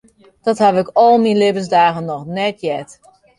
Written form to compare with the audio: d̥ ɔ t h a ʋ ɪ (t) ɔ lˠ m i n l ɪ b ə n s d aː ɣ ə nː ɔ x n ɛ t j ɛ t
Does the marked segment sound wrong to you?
yes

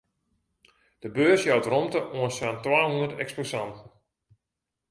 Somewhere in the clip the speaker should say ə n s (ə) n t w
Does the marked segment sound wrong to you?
yes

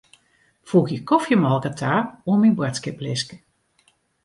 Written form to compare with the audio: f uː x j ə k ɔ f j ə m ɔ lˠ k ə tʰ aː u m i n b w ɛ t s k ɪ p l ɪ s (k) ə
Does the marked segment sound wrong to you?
no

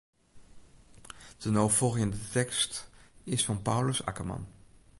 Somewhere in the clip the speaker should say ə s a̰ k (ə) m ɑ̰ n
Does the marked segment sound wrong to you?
no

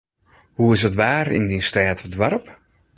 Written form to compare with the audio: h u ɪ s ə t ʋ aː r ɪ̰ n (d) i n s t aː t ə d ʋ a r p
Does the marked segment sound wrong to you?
no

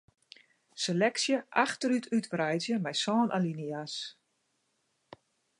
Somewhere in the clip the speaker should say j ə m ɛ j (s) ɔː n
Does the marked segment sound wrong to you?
no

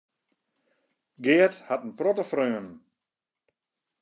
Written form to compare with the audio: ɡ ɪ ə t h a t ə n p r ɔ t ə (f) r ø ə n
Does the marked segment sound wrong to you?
no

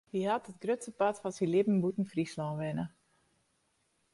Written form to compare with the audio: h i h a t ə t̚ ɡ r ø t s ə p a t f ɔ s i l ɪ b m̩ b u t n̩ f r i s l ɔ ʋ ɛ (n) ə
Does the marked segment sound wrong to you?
no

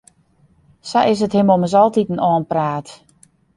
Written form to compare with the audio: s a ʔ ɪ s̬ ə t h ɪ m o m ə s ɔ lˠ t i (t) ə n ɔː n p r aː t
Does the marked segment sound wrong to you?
no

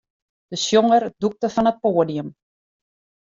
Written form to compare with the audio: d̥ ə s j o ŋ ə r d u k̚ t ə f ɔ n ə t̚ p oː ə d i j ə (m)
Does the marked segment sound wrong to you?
no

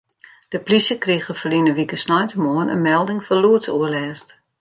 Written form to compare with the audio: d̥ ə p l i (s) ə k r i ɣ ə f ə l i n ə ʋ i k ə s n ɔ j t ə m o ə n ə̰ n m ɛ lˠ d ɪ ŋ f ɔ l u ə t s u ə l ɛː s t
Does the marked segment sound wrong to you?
no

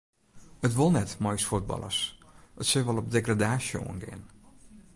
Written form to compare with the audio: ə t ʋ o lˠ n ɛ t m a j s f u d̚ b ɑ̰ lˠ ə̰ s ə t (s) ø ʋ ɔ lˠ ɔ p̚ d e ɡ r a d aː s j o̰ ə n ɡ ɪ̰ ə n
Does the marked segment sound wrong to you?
no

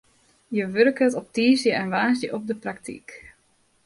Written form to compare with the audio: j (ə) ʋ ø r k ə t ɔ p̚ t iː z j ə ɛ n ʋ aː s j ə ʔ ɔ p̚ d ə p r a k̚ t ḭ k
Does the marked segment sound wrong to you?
no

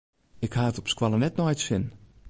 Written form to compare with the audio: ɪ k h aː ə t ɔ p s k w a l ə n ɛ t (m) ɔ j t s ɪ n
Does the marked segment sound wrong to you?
yes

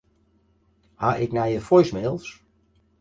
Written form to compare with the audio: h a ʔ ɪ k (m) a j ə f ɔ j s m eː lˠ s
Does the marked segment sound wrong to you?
yes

